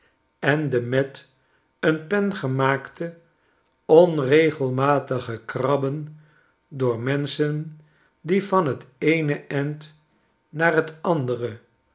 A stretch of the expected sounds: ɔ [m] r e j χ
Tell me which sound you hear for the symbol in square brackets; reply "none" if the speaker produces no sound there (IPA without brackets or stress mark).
n